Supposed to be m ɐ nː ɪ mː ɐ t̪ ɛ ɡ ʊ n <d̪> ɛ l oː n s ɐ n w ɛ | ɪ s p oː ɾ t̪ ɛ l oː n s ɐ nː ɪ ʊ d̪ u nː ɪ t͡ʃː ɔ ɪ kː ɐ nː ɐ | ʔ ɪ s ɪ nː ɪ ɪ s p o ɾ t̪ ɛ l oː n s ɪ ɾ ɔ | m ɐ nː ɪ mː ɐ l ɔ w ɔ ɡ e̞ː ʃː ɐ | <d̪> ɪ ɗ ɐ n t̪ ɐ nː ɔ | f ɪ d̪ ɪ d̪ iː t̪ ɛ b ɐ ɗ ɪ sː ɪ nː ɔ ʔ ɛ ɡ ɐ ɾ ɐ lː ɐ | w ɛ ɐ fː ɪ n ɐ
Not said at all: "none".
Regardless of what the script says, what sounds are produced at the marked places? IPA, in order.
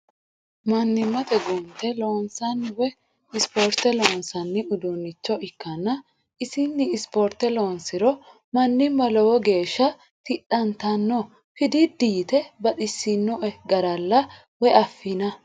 t̪, t̪

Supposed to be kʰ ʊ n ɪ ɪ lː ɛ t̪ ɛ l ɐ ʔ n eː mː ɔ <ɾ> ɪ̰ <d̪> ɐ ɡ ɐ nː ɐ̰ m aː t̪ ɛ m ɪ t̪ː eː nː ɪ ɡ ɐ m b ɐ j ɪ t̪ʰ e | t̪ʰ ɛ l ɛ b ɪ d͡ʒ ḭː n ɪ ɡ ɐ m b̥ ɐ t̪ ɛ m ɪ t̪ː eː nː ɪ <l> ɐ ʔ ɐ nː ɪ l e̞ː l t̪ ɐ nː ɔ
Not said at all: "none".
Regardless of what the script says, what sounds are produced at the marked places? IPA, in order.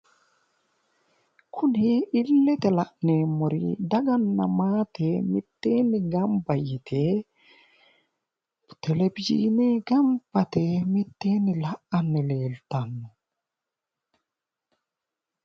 ɾ, d̪, l

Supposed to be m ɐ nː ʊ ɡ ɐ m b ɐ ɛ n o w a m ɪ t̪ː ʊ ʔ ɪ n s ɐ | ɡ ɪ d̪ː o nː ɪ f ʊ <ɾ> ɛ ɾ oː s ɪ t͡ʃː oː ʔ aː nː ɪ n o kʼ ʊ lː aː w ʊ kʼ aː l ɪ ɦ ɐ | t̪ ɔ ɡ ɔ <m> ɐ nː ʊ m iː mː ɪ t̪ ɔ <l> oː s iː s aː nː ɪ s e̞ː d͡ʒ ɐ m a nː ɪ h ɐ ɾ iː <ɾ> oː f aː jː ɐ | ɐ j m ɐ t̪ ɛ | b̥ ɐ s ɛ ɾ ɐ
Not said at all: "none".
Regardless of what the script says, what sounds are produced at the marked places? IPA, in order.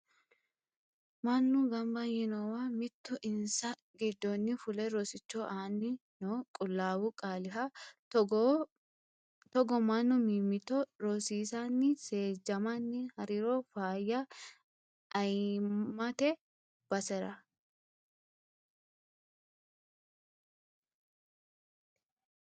l, m, ɾ, ɾ

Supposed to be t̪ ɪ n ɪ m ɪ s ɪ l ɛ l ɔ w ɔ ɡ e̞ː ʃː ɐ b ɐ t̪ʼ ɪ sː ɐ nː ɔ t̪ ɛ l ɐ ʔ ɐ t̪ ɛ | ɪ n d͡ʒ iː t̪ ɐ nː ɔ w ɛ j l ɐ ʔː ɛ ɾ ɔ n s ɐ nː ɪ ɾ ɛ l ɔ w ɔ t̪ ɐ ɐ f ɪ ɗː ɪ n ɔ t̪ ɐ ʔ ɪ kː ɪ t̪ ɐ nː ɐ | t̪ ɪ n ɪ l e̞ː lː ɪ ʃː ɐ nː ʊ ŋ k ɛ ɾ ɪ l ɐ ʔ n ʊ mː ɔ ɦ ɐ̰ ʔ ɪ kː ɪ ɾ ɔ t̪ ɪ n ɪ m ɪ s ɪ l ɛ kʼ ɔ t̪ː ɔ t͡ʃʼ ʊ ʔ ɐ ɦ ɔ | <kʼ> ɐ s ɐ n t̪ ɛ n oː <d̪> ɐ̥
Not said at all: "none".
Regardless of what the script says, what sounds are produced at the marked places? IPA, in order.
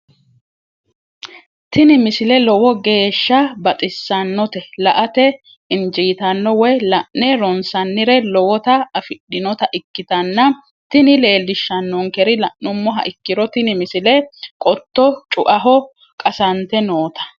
kʼ, t̪

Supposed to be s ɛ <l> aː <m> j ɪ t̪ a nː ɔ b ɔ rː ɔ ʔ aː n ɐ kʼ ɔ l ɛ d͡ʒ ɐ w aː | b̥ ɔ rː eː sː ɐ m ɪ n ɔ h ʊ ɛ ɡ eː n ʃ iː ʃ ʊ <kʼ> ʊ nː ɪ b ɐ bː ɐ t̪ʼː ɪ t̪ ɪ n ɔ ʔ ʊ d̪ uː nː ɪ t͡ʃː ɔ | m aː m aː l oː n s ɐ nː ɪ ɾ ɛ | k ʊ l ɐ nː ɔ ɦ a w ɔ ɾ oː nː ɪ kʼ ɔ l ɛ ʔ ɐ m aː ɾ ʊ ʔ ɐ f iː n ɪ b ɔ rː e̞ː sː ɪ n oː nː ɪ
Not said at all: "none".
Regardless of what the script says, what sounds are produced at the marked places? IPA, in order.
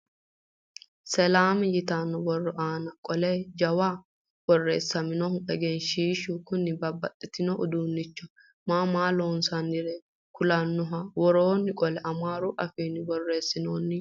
l, m, k

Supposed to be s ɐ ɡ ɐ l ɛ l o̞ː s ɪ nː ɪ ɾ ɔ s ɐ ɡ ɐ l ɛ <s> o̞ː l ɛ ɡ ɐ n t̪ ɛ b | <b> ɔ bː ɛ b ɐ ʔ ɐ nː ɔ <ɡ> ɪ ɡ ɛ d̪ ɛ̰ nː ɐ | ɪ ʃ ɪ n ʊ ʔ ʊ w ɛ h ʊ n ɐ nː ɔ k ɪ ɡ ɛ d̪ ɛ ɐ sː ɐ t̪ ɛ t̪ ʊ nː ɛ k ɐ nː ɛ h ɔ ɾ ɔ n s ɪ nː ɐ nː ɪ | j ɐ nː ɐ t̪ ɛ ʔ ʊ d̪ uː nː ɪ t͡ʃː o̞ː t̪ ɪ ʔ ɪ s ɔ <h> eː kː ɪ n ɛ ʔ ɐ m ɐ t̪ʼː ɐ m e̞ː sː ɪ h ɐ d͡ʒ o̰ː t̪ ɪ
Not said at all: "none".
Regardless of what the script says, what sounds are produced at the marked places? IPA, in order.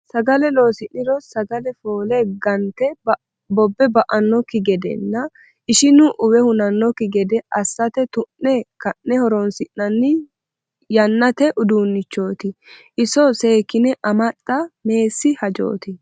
f, b, k, s

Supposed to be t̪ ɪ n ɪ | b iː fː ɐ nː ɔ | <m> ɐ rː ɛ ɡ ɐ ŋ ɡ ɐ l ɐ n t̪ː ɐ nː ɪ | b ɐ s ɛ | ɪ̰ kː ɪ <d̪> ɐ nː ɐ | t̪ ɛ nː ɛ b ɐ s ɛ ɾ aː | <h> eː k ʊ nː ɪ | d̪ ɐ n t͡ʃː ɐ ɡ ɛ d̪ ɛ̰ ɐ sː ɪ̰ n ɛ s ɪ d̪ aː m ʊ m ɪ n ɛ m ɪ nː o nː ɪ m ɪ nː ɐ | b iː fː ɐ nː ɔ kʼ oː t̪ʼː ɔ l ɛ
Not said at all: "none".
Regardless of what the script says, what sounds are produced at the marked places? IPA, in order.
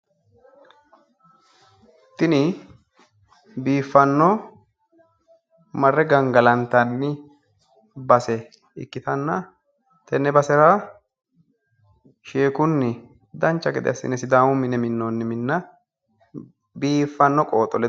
m, t̪, ʃ

